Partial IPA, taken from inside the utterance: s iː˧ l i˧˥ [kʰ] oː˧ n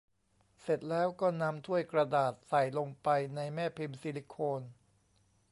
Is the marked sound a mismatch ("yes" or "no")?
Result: no